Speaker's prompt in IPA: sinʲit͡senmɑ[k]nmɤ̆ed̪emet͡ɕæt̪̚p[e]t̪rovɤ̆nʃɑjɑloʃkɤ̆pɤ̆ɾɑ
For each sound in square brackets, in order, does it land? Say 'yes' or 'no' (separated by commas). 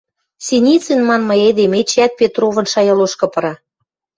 no, yes